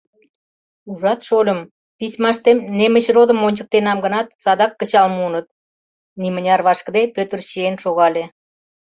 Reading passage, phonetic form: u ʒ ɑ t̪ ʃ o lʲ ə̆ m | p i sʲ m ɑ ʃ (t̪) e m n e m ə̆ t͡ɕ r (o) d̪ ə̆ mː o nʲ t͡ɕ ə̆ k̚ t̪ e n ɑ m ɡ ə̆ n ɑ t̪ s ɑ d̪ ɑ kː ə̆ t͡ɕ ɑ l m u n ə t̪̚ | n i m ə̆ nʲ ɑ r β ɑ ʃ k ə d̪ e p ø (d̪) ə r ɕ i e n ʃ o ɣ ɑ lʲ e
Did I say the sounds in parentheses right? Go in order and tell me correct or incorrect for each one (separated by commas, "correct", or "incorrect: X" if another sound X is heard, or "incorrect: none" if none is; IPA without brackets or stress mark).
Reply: correct, correct, incorrect: t̪